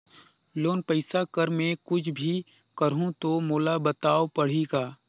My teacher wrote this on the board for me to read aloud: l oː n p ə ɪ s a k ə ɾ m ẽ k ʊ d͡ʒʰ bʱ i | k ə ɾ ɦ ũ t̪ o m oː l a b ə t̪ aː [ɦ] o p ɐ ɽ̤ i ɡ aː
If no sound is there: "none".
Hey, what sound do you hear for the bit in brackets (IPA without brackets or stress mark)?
none